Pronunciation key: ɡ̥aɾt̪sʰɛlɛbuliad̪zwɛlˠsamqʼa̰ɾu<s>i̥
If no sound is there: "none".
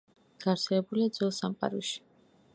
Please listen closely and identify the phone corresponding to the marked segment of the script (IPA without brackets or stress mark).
ʃ